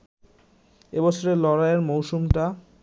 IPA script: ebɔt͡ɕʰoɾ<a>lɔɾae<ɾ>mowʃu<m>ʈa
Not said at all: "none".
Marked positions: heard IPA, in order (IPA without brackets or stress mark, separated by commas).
e, ɾ, m